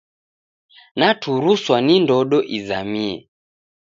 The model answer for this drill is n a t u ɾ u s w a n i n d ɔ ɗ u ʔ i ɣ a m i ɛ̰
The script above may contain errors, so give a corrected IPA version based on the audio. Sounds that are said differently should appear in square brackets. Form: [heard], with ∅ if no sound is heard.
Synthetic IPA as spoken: n a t u ɾ u s w a n i n d ɔ ɗ [ɔ] ʔ i [z] a m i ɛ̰